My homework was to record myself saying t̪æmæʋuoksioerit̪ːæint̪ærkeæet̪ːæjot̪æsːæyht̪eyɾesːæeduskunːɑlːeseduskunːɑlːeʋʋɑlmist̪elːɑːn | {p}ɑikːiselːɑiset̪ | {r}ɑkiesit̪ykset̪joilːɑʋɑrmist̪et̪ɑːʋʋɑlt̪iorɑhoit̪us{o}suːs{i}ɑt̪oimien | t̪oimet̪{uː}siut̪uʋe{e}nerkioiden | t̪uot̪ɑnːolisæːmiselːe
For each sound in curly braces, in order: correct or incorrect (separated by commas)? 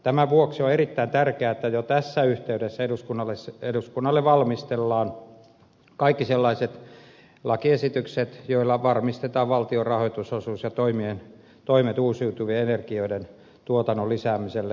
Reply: incorrect, incorrect, correct, incorrect, correct, correct